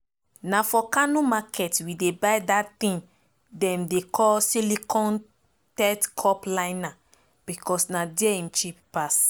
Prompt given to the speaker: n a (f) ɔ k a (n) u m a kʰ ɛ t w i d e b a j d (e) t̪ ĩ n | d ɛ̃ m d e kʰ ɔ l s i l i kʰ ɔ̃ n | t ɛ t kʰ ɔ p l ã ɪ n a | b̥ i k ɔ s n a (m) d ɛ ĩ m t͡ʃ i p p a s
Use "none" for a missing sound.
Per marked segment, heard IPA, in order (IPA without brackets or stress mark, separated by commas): f, n, a, none